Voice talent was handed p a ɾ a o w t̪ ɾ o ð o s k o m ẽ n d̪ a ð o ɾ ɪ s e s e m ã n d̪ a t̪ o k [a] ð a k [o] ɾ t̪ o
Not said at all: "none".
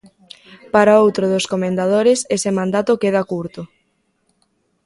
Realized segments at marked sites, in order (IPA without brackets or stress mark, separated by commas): e, u